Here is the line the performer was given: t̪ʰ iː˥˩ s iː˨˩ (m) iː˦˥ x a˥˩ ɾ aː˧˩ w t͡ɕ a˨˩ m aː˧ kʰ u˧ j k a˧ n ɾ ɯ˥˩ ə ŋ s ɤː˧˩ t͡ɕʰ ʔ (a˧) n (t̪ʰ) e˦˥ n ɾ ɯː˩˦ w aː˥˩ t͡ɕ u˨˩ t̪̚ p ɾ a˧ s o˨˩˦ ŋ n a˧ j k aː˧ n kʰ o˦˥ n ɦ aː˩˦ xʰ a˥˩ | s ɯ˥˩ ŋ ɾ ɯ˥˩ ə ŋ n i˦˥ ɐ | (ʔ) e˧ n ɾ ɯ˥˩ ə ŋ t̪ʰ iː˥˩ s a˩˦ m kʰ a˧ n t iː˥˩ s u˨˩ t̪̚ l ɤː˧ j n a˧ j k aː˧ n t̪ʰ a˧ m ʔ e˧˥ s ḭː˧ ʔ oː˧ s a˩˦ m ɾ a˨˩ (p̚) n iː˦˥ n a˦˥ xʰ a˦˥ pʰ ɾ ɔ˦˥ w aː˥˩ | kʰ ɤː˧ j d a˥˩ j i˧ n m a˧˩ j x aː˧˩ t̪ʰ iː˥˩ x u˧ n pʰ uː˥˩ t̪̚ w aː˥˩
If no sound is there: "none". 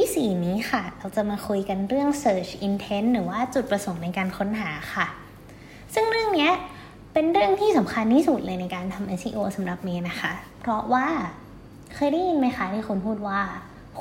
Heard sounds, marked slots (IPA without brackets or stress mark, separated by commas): n, i˧, t̪ʰ, p, p̚